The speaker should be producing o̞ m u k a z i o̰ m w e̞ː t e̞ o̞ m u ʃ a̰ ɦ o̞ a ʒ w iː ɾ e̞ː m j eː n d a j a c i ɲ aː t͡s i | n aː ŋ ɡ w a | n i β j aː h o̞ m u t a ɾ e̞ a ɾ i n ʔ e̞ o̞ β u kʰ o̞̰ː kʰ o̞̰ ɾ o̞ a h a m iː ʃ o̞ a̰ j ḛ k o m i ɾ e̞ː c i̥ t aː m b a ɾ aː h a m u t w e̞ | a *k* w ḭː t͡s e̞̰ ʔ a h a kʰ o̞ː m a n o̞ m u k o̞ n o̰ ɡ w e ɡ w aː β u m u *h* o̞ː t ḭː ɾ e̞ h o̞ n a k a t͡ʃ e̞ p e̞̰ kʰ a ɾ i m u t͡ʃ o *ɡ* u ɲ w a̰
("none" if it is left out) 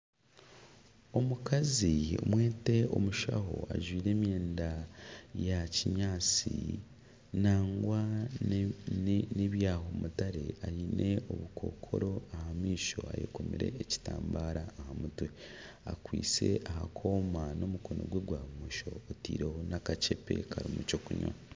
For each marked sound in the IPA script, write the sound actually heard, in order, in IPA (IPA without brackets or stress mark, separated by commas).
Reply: k, ʃ, k